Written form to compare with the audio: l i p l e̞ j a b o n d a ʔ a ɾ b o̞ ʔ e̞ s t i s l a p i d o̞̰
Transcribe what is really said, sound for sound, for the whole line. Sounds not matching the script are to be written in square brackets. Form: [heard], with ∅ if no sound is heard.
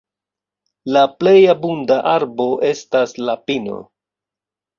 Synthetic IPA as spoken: l [a] p l e̞ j a b [u] n d a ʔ a ɾ b o̞ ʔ e̞ s t [a] s l a p i [n] o̞̰

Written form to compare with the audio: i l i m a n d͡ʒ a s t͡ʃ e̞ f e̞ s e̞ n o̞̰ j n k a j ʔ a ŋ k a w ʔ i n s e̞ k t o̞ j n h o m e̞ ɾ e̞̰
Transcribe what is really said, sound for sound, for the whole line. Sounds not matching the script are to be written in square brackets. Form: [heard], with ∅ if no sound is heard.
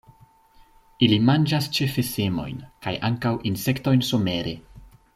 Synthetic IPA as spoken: i l i m a n d͡ʒ a s t͡ʃ e̞ f e̞ s e̞ [m] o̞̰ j n k a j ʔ a ŋ k a w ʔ i n s e̞ k t o̞ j n [s] o m e̞ ɾ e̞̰

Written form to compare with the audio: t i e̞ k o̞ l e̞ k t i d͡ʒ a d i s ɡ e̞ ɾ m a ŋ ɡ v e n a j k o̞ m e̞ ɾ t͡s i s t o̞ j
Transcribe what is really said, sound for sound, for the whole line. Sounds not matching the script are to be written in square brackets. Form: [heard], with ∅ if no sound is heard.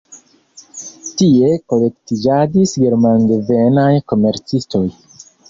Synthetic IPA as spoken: t i e̞ k o̞ l e̞ k t i d͡ʒ a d i s ɡ e̞ ɾ m a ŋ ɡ v e n a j k o̞ m e̞ ɾ t͡s i s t o̞ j

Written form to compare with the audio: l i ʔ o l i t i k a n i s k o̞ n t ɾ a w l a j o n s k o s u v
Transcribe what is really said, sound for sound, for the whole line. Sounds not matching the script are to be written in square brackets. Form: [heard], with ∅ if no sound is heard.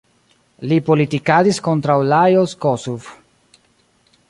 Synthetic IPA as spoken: l i [p] o l i t i k a [d] i s k o̞ n t ɾ a w l a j o [∅] s k o s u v

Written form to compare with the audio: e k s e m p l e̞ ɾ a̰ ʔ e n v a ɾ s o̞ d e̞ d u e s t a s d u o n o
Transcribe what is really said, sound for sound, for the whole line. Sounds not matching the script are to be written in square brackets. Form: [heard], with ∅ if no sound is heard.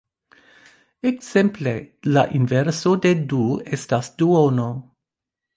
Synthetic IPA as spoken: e k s e m p l e̞ [l] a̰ ʔ [i] n v [e] ɾ s o̞ d e̞ d u e s t a s d u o n o

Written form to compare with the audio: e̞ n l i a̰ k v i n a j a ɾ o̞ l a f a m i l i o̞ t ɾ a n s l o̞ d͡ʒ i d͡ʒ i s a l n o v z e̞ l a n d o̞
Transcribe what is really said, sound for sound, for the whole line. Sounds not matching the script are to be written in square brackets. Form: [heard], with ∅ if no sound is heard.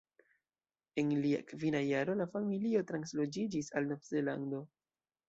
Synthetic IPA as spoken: e̞ n l i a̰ k v i n a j a ɾ o̞ l a f a m i l i o̞ t ɾ a n s l o̞ d͡ʒ i d͡ʒ i s a l n o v z e̞ l a n d o̞

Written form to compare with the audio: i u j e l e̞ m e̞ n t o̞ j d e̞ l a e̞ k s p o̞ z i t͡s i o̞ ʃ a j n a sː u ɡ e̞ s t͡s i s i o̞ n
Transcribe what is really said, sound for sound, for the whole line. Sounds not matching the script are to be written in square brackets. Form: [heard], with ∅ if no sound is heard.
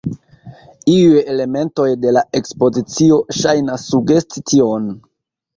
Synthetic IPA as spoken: i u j e l e̞ m e̞ n t o̞ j d e̞ l a e̞ k s p o̞ z i t͡s i o̞ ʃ a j n a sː u ɡ e̞ s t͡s i [t] i o̞ n

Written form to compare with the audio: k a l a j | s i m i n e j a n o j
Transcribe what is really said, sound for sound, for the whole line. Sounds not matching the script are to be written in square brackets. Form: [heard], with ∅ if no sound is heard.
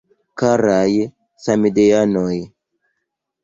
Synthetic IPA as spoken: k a [ɾ] a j | s [a] m i [d] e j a n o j

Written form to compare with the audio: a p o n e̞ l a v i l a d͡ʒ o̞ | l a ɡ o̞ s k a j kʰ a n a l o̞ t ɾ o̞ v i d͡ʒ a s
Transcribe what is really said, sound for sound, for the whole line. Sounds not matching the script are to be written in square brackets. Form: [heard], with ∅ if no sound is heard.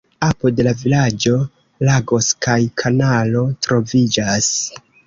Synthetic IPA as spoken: a p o [d] e̞ l a v i l a d͡ʒ o̞ | l a ɡ o̞ s k a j kʰ a n a l o̞ t ɾ o̞ v i d͡ʒ a s

